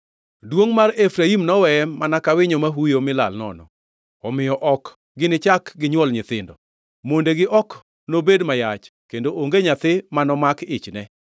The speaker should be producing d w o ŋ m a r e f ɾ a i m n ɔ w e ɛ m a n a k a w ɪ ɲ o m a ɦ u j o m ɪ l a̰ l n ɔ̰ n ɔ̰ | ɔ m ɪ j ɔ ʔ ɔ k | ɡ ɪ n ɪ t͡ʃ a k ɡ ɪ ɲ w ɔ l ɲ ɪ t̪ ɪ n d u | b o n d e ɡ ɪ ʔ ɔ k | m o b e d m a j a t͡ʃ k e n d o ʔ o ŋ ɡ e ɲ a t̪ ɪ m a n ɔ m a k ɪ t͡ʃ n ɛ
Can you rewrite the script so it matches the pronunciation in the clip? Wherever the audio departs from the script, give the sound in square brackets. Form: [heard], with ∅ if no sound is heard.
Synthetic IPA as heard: d w o ŋ m a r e f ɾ a i m n ɔ w [ɛ] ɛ m a n a k a w ɪ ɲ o m a ɦ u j o m ɪ l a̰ l n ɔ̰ n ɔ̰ | ɔ m ɪ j ɔ ʔ ɔ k | ɡ ɪ n ɪ t͡ʃ a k ɡ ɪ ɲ w ɔ l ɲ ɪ t̪ ɪ n d [ɔ] | [m] o n d e ɡ ɪ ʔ ɔ k | [n] o b e d m a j a t͡ʃ k e n d o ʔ o ŋ ɡ e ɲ a t̪ ɪ m a n ɔ m a k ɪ t͡ʃ n ɛ